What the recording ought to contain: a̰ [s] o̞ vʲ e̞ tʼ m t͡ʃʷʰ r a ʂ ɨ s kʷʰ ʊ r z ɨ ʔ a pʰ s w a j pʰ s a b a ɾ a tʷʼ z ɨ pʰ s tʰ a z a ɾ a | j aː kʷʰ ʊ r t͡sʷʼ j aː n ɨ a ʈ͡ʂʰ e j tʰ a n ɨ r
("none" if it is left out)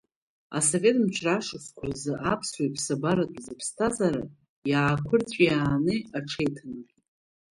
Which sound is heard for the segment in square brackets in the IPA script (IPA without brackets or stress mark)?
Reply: s